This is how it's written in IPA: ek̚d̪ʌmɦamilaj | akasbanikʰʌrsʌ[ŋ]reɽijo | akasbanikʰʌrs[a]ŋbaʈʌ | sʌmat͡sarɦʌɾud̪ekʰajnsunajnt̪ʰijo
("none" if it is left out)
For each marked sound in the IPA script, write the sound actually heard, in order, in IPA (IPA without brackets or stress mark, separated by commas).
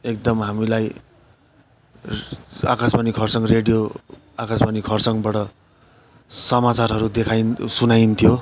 ŋ, ʌ